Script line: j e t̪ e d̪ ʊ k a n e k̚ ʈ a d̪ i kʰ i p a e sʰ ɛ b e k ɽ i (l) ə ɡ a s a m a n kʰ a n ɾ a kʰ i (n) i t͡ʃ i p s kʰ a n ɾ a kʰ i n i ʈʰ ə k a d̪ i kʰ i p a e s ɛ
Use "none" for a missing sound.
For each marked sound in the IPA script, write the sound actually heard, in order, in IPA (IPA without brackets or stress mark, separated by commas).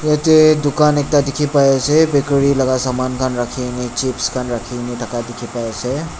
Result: l, n